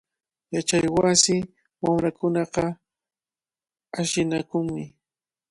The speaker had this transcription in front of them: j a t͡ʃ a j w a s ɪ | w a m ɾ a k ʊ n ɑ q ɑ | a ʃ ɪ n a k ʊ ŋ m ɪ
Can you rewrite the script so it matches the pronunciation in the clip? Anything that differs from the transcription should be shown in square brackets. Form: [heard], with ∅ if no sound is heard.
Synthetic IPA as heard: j a t͡ʃ a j w a s ɪ | w a m ɾ a k ʊ n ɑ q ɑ | a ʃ ɪ n a k ʊ ŋ m ɪ